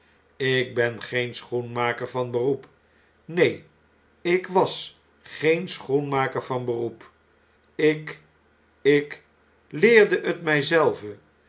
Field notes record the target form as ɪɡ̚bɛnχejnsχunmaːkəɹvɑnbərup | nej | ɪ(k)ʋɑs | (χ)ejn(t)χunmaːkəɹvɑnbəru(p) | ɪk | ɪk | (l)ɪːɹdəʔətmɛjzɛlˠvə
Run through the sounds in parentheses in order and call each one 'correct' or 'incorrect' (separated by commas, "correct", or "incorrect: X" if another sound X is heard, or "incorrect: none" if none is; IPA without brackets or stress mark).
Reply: correct, correct, incorrect: s, correct, correct